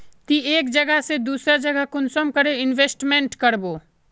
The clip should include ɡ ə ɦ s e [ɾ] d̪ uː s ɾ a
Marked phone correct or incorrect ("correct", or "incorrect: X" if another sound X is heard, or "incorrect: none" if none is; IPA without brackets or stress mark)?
incorrect: none